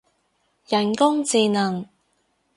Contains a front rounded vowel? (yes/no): no